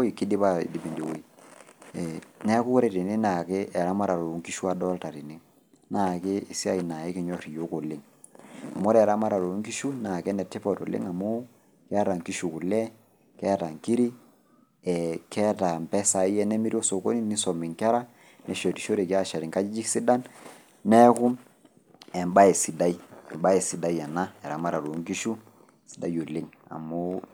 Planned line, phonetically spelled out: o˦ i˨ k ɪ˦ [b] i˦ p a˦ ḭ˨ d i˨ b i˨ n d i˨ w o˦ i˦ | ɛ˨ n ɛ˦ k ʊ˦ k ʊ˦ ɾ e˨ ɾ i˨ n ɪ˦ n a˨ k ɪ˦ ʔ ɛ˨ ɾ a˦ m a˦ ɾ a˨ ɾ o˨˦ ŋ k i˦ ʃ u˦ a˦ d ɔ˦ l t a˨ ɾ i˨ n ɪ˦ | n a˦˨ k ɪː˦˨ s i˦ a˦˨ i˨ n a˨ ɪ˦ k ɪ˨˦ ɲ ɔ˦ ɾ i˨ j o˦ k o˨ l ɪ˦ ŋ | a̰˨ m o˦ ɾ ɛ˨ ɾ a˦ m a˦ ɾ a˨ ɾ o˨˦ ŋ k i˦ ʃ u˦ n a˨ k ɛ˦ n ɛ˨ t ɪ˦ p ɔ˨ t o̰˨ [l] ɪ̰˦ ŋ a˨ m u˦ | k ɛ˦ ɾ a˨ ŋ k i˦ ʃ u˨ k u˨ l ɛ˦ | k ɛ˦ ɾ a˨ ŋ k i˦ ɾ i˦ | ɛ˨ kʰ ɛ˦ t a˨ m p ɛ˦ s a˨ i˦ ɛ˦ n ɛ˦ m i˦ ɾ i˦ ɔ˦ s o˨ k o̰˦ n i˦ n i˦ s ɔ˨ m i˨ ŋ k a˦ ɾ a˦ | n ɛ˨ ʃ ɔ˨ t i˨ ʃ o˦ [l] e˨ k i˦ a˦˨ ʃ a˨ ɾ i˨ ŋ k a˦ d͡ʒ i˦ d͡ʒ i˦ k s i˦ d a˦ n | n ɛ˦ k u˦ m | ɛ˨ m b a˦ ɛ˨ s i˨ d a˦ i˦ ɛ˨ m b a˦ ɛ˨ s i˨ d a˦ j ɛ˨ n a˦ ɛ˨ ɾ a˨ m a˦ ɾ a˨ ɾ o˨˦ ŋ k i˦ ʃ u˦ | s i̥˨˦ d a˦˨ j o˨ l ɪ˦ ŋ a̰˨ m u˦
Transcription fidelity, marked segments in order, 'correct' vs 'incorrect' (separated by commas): incorrect, correct, incorrect